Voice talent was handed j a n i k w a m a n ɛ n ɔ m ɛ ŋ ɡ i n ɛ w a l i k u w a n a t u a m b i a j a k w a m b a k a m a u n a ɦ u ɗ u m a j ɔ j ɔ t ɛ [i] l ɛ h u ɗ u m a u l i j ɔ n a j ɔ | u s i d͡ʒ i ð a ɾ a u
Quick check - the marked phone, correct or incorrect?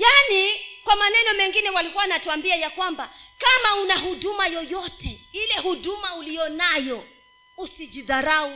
correct